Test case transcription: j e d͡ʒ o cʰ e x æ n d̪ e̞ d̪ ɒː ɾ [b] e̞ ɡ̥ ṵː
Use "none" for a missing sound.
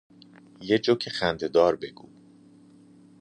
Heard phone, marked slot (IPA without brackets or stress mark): b